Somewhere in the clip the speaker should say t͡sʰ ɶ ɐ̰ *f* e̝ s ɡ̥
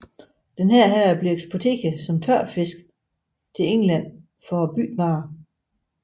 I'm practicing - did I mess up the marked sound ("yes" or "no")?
no